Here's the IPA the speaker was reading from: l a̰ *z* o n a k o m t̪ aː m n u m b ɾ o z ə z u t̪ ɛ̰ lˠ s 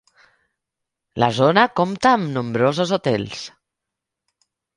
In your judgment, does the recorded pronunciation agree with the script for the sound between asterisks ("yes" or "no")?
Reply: yes